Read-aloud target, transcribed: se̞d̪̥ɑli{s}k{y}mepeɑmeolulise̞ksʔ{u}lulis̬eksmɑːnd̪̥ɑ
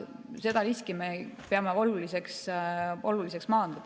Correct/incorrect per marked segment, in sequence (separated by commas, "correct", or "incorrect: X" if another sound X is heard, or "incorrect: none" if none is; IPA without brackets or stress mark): correct, incorrect: i, incorrect: o